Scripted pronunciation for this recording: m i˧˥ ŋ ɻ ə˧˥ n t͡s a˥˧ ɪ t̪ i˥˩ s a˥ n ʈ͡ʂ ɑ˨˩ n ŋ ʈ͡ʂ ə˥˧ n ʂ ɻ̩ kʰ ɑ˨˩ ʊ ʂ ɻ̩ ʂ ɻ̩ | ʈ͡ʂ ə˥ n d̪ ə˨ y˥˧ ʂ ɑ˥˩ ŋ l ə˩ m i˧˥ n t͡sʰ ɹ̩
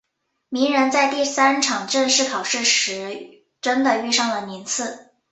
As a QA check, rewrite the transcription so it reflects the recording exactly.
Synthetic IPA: m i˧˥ ŋ ɻ ə˧˥ n t͡s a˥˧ ɪ t̪ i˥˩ s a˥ n ʈ͡ʂʰ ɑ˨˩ ŋ ʈ͡ʂ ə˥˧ n ʂ ɻ̩ kʰ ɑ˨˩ ʊ ʂ ɻ̩ ʂ ɻ̩ | ʈ͡ʂ ə˥ n d̪ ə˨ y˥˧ ʂ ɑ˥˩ ŋ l ə˩ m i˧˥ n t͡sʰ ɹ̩